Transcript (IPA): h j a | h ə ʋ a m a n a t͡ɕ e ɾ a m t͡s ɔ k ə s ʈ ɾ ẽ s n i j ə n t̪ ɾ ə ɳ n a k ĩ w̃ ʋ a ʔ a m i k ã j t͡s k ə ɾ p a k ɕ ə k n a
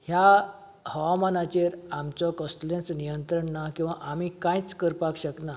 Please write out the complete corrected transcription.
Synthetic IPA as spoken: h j a | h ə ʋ a m a n a t͡ɕ e ɾ a m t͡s ɔ k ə s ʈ l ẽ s n i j ə n t̪ ɾ ə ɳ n a k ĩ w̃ ʋ a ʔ a m i k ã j t͡s k ə ɾ p a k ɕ ə k n a